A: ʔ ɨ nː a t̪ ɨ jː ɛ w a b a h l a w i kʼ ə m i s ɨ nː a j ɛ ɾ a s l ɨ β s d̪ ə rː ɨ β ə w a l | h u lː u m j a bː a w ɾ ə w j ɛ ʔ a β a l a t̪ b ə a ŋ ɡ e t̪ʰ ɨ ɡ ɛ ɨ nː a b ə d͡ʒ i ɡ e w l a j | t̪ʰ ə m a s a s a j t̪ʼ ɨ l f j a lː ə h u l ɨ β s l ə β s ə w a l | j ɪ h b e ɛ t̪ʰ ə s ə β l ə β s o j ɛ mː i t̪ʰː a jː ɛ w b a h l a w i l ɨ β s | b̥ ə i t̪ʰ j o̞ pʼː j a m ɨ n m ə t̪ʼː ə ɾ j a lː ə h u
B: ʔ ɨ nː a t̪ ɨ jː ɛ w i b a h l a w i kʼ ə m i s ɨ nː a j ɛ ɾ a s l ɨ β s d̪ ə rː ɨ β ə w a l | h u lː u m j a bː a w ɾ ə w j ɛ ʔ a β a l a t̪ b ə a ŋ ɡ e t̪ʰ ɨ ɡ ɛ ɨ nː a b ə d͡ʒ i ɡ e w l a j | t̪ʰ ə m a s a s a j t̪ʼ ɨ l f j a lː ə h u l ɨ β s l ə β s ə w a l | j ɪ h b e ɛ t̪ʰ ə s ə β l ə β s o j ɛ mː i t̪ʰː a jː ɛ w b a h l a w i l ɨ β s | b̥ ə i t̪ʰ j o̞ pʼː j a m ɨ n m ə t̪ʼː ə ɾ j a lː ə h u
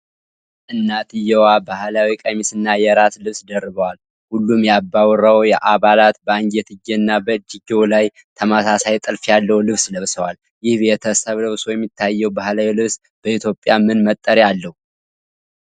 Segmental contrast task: A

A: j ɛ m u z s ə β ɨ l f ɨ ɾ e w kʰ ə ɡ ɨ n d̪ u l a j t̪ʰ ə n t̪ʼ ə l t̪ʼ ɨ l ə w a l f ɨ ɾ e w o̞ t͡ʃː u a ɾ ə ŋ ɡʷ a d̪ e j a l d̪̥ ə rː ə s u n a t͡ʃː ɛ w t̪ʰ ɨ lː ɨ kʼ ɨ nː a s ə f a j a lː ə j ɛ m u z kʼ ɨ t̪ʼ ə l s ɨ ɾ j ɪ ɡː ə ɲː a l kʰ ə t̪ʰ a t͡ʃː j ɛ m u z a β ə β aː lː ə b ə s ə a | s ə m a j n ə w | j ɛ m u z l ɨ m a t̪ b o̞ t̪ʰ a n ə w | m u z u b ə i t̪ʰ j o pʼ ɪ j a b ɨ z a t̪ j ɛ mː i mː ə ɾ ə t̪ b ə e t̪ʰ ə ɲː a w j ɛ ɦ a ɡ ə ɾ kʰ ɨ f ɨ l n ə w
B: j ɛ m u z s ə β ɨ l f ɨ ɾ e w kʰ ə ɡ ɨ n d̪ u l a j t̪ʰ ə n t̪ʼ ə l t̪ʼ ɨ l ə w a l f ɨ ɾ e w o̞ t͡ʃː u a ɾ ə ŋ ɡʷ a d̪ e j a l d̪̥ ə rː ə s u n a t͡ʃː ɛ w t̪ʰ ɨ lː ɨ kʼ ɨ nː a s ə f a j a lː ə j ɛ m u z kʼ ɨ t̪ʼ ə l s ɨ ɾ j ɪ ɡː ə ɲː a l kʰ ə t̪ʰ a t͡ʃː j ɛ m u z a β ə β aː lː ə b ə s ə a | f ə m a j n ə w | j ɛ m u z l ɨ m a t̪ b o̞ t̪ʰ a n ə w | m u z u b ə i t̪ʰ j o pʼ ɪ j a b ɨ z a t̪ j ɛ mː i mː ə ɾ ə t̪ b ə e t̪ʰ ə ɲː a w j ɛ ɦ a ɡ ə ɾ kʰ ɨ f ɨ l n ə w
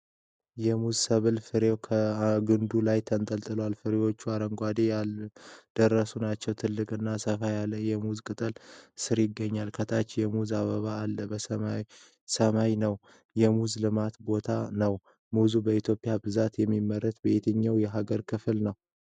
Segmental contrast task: A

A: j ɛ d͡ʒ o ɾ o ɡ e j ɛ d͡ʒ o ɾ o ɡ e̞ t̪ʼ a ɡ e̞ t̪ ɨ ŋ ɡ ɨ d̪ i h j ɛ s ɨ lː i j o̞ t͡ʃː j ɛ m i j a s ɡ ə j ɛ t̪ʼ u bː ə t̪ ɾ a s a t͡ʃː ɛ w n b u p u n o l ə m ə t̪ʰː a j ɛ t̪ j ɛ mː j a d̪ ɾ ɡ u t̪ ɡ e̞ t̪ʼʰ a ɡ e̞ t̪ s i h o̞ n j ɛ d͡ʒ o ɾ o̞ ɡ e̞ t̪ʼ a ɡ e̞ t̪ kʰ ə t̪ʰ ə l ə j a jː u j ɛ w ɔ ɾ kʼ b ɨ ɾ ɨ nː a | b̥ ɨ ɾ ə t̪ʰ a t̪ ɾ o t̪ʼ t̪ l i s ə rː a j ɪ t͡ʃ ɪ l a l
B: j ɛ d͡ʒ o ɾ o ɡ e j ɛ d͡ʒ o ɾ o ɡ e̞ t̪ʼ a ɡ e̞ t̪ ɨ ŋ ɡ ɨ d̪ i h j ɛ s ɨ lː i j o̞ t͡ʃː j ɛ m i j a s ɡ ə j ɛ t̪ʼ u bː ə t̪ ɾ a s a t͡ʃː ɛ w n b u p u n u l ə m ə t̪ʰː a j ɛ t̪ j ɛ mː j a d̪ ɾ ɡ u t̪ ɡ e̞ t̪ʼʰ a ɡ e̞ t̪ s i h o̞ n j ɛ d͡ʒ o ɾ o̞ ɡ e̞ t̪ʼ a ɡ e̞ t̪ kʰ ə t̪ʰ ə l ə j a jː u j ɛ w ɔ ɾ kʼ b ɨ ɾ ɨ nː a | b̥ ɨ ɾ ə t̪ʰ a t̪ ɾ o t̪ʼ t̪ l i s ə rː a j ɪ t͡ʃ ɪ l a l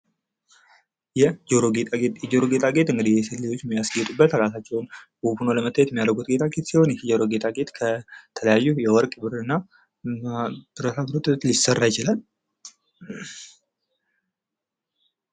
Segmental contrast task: A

